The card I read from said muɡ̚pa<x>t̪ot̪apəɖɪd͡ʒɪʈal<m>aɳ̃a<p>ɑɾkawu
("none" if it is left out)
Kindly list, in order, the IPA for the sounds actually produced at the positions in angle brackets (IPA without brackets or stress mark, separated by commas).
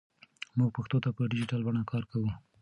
x, b, k